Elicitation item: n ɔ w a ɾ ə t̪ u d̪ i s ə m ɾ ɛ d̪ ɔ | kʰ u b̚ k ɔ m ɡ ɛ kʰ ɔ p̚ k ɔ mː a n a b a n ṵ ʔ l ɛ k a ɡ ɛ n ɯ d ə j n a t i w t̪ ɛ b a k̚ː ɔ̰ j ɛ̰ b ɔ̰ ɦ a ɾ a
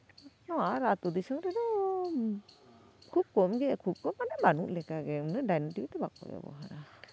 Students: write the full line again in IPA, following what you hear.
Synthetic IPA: n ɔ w a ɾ a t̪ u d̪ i s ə ŋ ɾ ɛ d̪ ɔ | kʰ u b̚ k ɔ m ɡ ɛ kʰ u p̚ k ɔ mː a n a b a n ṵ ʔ l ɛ k a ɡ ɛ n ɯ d a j n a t i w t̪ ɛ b a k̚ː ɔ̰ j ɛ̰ b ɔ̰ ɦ a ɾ a